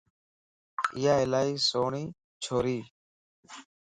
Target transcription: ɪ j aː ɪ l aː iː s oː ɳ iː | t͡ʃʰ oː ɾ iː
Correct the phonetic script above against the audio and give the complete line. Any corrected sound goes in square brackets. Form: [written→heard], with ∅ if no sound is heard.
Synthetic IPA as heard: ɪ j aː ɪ l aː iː s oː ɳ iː | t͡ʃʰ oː ɾ iː